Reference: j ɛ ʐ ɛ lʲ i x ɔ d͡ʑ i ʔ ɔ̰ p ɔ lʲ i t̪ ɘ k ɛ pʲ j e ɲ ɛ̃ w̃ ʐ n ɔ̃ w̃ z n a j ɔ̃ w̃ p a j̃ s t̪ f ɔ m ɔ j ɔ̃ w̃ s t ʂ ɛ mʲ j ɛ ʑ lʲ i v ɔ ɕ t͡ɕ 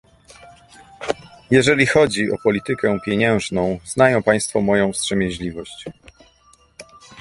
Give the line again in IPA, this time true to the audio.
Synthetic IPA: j ɛ ʐ ɛ lʲ i x ɔ d͡ʑ i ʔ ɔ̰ p ɔ lʲ i t̪ ɘ k ɛ pʲ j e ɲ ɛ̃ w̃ ʐ n ɔ̃ w̃ z n a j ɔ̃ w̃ p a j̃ s t̪ f ɔ m ɔ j ɔ̃ w̃ s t ʂ ɛ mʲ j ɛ ʑ lʲ i v ɔ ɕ t͡ɕ